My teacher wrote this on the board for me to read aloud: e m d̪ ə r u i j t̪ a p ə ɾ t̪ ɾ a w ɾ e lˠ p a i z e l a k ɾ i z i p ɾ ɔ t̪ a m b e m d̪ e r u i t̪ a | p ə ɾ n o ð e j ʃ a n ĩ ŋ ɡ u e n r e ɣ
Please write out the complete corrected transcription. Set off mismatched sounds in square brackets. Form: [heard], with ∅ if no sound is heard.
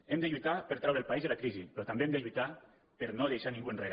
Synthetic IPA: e m d̪ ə [ʎ] u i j t̪ a p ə ɾ t̪ ɾ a w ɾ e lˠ p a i z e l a k ɾ i z i p ɾ ɔ t̪ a m b e m d̪ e [ʎ] u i t̪ a | p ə ɾ n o ð e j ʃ a n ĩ ŋ ɡ u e n r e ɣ